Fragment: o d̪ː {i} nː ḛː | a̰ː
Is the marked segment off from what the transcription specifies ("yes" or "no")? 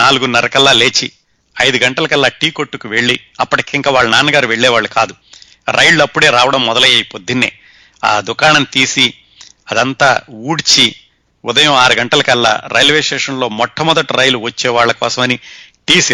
no